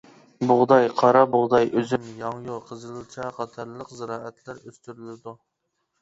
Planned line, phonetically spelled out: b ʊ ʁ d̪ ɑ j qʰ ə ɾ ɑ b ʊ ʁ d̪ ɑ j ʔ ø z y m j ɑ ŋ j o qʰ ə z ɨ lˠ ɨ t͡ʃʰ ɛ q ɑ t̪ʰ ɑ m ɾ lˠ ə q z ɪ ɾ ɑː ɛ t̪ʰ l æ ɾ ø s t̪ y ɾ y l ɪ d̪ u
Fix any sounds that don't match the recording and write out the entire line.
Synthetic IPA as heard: b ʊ ʁ d̪ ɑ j qʰ ɑ ɾ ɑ b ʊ ʁ d̪ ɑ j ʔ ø z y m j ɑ ŋ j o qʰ ə z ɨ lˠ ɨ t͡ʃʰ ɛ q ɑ t̪ʰ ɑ ɾ lˠ ə q z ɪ ɾ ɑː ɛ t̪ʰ l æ ɾ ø s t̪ y ɾ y l ɪ d̪ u